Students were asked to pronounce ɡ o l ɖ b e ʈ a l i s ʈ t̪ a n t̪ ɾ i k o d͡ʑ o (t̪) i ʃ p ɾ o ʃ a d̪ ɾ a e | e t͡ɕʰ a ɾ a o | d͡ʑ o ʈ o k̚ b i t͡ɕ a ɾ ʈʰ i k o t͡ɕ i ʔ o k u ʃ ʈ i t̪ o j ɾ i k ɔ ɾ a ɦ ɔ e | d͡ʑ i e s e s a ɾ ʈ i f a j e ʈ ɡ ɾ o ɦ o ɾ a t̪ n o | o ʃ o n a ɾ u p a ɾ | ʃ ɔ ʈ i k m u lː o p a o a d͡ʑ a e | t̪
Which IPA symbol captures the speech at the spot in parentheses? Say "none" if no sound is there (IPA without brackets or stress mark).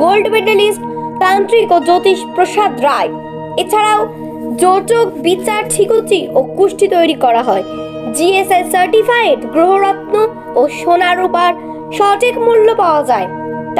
t̪